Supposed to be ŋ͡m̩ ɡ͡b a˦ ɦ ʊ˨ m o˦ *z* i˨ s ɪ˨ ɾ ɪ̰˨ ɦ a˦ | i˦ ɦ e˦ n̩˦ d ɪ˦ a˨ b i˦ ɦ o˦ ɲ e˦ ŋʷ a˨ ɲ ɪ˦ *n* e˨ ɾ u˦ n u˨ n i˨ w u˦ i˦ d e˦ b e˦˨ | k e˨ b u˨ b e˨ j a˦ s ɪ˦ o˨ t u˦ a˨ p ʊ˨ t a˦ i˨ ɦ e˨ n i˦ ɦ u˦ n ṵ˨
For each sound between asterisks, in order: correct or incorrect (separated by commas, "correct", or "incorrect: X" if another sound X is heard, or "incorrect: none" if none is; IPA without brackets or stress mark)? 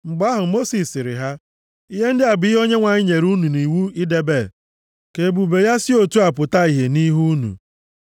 incorrect: s, incorrect: ɲ